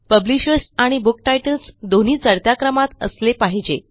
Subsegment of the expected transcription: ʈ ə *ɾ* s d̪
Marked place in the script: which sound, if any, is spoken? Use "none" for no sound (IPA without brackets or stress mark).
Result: l